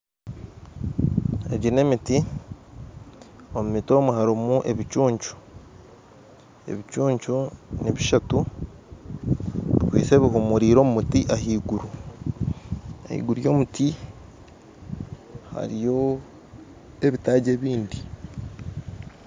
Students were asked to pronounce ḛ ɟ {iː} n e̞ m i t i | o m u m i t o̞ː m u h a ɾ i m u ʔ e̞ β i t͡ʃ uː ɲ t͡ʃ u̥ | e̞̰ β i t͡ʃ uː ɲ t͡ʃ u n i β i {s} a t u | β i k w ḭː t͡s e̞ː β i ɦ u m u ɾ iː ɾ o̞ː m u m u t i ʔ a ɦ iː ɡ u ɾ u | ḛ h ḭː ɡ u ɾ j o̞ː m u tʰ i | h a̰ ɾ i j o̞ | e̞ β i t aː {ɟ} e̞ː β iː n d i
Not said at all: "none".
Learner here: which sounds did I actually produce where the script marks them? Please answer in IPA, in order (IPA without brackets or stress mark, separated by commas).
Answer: i, ʃ, ɟ